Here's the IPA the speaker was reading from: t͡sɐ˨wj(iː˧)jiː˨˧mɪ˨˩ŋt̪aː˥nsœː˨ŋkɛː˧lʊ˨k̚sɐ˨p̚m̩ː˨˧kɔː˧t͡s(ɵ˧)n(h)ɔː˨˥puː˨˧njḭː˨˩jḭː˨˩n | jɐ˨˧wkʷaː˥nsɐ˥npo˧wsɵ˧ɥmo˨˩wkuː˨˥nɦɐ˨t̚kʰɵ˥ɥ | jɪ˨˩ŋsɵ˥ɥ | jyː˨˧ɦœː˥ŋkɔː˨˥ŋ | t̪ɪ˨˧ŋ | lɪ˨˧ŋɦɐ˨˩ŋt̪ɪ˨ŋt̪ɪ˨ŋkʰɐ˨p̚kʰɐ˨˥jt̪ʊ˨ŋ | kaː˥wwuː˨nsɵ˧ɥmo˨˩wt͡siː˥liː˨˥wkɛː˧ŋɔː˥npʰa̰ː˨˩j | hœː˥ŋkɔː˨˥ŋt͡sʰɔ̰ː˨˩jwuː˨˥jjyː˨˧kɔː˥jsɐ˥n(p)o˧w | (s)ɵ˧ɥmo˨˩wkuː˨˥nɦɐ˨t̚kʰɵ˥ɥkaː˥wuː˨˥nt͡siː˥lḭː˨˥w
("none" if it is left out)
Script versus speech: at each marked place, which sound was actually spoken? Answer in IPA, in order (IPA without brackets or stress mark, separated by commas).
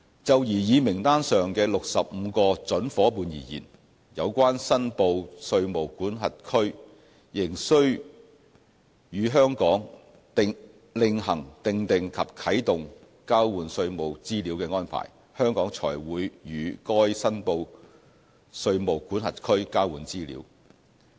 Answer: iː˨˩, ɵ˨˥, f, p, s